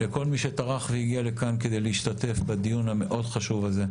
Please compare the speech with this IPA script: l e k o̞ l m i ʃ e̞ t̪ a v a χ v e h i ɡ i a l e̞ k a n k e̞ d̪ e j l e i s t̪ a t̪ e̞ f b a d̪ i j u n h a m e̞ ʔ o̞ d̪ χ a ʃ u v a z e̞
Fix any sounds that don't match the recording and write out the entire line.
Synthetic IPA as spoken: l e k o̞ l m i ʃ e̞ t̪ a ʁ a χ v e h i ɡ i a l e̞ k a n k e̞ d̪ e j l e i ʃ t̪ a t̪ e̞ f b a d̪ i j u n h a m e̞ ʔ o̞ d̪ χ a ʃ u v a z e̞